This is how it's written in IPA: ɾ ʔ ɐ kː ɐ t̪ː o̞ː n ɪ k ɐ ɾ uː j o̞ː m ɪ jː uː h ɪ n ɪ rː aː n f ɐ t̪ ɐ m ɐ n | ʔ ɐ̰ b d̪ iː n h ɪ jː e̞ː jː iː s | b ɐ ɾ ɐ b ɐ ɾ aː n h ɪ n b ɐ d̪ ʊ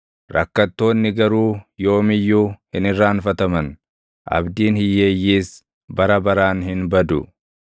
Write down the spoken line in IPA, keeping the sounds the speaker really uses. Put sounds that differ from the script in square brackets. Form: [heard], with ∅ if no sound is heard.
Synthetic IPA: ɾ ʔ ɐ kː ɐ t̪ː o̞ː [nː] ɪ [ɡ] ɐ ɾ uː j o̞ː m ɪ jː uː h ɪ n ɪ rː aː n f ɐ t̪ ɐ m ɐ n | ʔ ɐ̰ b d̪ iː n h ɪ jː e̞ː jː iː s | b ɐ ɾ ɐ b ɐ ɾ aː n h ɪ n b ɐ d̪ ʊ

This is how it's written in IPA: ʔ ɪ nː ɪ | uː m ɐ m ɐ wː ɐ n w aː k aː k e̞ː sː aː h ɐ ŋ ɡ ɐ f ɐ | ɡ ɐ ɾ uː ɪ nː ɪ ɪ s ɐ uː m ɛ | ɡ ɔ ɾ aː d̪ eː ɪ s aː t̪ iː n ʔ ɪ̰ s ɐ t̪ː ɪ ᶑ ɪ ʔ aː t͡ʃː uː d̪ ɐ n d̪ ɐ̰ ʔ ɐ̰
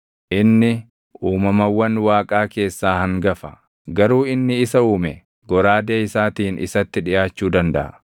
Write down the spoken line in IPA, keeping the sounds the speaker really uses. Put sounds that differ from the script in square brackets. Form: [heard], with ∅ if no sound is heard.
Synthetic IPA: ʔ ɪ nː ɪ | uː m ɐ m ɐ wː ɐ n w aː [kʼ] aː k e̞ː sː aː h ɐ ŋ ɡ ɐ f ɐ | ɡ ɐ ɾ uː ɪ nː ɪ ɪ s ɐ uː m ɛ | ɡ ɔ ɾ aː d̪ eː ɪ s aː t̪ iː n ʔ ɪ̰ s ɐ t̪ː ɪ ᶑ ɪ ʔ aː t͡ʃː uː d̪ ɐ n d̪ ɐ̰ ʔ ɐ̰

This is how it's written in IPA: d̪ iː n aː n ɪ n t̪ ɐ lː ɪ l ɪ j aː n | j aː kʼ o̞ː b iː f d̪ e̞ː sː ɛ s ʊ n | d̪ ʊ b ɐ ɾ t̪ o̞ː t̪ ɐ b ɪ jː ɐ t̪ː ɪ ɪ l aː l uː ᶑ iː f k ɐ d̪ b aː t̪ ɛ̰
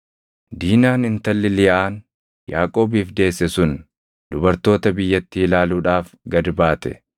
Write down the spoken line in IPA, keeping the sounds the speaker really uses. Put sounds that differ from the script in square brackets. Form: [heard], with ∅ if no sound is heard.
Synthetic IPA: d̪ iː n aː n ɪ n t̪ ɐ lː ɪ l ɪ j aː n | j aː kʼ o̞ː b iː f d̪ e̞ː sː ɛ s ʊ n | d̪ ʊ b ɐ ɾ t̪ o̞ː t̪ ɐ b ɪ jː ɐ t̪ː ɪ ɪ l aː l uː ᶑ [aː] f [ɡ] ɐ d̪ b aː t̪ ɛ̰

